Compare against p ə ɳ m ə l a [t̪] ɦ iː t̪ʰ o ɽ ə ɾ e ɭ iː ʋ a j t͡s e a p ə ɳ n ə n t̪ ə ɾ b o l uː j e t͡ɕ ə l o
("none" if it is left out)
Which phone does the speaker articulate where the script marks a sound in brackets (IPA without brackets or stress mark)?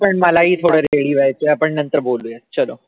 none